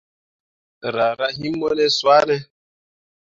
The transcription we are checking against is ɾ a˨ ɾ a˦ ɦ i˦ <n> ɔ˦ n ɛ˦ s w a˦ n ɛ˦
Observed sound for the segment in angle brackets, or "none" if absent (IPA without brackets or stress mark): m